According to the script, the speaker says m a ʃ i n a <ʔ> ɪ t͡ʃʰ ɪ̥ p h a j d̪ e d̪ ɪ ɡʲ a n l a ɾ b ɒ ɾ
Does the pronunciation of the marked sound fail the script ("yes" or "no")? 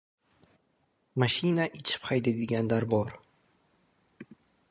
no